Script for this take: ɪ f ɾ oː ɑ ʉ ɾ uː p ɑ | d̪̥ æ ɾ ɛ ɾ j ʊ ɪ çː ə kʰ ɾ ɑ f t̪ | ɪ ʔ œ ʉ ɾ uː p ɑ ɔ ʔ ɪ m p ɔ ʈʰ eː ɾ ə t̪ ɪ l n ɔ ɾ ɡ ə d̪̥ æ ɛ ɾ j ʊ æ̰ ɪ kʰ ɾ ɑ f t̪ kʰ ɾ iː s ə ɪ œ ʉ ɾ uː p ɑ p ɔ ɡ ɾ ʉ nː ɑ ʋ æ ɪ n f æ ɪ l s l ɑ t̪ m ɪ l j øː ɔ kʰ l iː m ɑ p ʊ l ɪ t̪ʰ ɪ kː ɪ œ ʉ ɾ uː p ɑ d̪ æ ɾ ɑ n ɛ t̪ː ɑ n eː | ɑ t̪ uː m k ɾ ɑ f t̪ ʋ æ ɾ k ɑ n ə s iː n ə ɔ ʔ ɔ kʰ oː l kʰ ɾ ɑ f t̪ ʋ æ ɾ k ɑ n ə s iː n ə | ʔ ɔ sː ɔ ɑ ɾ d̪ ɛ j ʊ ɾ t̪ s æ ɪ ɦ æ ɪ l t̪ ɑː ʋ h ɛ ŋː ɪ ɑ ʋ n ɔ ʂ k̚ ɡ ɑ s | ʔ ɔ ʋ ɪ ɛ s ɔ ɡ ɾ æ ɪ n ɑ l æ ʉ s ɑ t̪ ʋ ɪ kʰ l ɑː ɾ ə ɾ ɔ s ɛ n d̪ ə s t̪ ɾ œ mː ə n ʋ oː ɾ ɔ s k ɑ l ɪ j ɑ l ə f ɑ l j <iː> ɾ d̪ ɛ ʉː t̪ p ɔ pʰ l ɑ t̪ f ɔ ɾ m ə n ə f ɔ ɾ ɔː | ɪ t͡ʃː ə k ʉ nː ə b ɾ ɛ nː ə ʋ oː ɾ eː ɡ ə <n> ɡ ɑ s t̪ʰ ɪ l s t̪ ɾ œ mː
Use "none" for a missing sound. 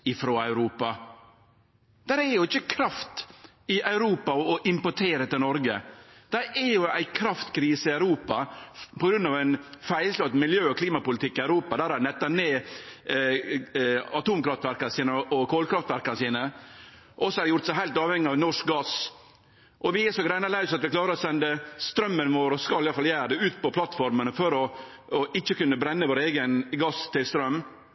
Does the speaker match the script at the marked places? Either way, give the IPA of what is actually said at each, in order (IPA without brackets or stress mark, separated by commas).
æː, n